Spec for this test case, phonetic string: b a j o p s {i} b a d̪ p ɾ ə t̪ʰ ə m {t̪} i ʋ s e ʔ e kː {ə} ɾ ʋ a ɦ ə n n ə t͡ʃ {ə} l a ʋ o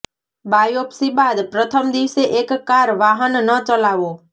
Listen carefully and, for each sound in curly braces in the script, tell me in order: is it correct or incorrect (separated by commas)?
correct, incorrect, incorrect, correct